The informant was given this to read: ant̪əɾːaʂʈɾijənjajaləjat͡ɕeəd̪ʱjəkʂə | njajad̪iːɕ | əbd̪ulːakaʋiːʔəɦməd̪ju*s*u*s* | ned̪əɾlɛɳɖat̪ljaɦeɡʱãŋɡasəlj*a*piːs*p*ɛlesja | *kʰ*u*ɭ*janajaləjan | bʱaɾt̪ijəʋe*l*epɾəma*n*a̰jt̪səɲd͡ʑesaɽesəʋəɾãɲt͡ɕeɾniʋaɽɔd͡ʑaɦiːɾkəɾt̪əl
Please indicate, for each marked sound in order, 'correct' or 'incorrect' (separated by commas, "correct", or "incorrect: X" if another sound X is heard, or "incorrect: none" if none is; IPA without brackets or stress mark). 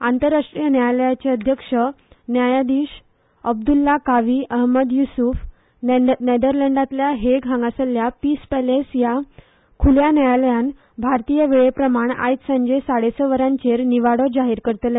correct, incorrect: f, correct, correct, correct, incorrect: l, incorrect: ɭ, incorrect: ɳ